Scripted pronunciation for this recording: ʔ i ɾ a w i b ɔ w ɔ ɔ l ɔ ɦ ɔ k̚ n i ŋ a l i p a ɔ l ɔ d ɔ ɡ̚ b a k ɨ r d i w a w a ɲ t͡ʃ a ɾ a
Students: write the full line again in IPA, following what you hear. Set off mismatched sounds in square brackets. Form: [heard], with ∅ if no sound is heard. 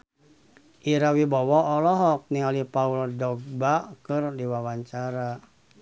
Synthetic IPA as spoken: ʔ i ɾ a w i b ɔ w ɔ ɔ l ɔ ɦ ɔ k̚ n i ŋ a l i p a [u] l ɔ d ɔ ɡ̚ b a k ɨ r d i w a w a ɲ t͡ʃ a ɾ a